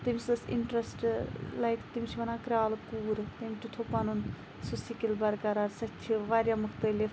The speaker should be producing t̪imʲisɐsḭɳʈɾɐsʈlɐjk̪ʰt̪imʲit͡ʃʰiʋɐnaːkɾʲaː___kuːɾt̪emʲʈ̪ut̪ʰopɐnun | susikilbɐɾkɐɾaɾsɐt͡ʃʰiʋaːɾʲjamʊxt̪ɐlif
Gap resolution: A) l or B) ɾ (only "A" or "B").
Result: A